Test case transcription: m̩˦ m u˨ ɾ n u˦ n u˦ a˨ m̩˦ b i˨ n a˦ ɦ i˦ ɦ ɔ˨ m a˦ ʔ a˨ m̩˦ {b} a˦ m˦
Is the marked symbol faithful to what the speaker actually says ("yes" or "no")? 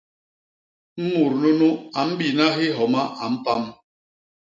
no